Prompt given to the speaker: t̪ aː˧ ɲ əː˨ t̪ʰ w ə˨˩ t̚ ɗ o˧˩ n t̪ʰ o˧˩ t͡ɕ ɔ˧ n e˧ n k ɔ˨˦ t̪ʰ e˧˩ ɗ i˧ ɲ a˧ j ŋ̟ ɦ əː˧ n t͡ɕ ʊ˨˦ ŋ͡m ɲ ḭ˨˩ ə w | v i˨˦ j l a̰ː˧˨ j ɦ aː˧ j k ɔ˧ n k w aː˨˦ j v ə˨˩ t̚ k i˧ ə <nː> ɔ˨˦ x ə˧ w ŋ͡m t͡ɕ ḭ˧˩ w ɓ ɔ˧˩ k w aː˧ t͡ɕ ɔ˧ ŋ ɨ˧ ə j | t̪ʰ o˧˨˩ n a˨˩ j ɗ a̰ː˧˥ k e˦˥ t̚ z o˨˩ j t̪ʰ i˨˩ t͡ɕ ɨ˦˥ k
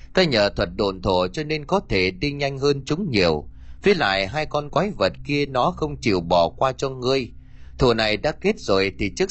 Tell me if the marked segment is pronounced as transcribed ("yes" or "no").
no